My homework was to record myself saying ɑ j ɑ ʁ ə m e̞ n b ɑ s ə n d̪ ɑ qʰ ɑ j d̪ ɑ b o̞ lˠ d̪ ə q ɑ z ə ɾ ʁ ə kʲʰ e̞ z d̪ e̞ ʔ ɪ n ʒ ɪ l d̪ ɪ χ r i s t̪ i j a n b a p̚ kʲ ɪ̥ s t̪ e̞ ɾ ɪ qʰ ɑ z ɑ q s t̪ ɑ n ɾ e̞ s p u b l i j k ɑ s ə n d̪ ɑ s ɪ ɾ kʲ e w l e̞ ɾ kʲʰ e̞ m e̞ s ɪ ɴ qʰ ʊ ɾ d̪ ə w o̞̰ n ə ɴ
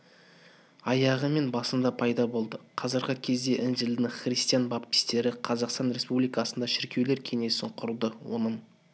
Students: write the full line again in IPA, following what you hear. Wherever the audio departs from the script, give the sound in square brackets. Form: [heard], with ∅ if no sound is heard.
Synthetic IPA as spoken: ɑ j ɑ ʁ ə m e̞ n b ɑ s ə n d̪ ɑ [pʰ] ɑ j d̪ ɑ b o̞ lˠ d̪ ə [qʰ] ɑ z ə ɾ ʁ ə kʲʰ e̞ z d̪ e̞ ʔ ɪ n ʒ ɪ l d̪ ɪ χ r i s t̪ i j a n b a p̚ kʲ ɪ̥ s t̪ e̞ ɾ ɪ qʰ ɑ z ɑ q s t̪ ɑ n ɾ e̞ s p u b l i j k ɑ s ə n d̪ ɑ [ʃ] ɪ ɾ kʲ e w l e̞ ɾ kʲʰ e̞ [ŋ] e̞ s ɪ ɴ qʰ ʊ ɾ d̪ ə w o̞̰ n ə ɴ